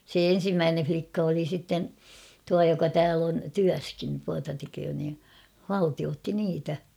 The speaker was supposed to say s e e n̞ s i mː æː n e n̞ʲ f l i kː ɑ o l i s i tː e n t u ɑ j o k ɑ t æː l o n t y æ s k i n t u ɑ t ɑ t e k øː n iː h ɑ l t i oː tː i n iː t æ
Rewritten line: s e e n̞ s i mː æː n e n̞ʲ f l i kː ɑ o l i s i tː e n t u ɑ j o k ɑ t æː l o n t y æ s k i n t u ɑ t ɑ t e k øː n iː h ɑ l t i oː tː i n iː t æ